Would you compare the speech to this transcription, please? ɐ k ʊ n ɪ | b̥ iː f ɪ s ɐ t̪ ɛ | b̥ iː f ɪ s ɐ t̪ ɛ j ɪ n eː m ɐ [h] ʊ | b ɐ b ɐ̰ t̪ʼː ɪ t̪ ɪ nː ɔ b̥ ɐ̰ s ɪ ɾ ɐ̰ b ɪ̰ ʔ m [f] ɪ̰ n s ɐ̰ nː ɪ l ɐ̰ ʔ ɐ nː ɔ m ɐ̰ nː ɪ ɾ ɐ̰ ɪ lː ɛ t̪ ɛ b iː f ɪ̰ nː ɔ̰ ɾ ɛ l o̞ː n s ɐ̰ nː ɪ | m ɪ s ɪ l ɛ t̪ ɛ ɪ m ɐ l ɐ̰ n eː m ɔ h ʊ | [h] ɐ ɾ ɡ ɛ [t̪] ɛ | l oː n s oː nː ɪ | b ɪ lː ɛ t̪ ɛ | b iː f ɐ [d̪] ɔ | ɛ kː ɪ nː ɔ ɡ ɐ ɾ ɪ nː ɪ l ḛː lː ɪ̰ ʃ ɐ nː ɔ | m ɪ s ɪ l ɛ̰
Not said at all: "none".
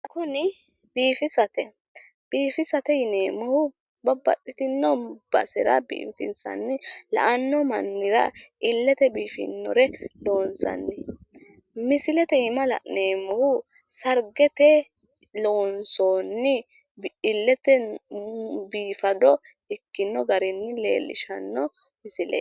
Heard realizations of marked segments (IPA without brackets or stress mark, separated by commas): h, f, s, t̪, d̪